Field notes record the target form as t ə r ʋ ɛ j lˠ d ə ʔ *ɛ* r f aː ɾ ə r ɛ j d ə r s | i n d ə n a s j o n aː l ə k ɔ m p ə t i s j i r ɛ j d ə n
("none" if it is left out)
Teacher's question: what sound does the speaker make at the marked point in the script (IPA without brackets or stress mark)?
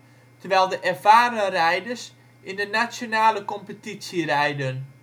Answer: ɛ